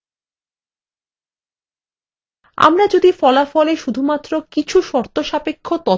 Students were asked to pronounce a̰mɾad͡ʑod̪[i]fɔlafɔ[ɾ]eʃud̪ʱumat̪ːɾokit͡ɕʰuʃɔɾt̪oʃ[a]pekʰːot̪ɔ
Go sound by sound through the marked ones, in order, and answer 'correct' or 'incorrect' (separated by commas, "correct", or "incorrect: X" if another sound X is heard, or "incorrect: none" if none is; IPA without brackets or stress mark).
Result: correct, incorrect: l, correct